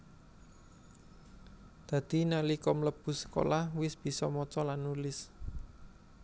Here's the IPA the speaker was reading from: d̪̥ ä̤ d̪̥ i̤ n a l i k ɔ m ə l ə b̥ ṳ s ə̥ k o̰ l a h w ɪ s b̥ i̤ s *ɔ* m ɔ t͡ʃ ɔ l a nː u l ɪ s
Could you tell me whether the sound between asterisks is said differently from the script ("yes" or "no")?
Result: no